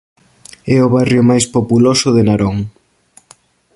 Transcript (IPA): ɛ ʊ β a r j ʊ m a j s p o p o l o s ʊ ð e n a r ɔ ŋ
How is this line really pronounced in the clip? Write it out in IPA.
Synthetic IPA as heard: ɛ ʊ β a r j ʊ m a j s p o p u l o s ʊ ð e n a ɾ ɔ ŋ

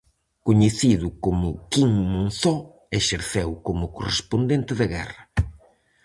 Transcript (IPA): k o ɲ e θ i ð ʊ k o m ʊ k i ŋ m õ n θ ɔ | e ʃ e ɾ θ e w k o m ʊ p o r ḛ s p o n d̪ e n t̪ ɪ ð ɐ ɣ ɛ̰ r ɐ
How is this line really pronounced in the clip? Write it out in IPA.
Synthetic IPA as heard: k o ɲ e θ i ð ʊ k o m ʊ k i ŋ m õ n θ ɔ | e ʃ e ɾ θ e w k o m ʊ k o r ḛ s p o n d̪ e n t̪ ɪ ð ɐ ɣ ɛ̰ r ɐ

